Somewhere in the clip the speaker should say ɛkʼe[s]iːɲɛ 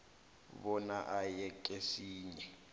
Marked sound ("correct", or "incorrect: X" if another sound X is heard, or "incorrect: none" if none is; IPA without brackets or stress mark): correct